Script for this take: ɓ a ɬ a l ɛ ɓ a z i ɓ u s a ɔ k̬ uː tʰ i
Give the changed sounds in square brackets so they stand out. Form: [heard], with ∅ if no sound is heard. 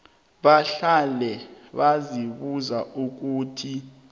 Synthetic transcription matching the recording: ɓ a ɬ a l ɛ ɓ a z i ɓ u [z] a [u] k̬ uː tʰ i